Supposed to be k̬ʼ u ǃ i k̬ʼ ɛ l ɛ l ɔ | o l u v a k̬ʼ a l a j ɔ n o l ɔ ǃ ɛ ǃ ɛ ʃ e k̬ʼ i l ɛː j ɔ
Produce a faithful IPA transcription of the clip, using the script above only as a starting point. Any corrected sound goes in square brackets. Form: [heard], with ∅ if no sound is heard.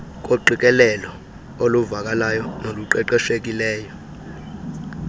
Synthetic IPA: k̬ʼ [o] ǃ i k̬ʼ ɛ l ɛ l ɔ | o l u v a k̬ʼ a l a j ɔ n o l [u] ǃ ɛ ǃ ɛ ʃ e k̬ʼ i l ɛː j ɔ